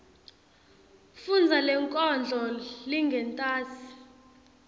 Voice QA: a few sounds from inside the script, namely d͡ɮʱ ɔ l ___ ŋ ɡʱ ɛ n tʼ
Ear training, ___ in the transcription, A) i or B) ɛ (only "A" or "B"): A